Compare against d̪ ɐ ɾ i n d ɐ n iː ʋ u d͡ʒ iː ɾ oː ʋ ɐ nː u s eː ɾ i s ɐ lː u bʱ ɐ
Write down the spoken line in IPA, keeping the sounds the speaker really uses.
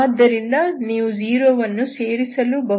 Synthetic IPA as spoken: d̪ ɐ ɾ i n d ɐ n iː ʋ u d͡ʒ iː ɾ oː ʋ ɐ nː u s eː ɾ i s ɐ l u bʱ ɐ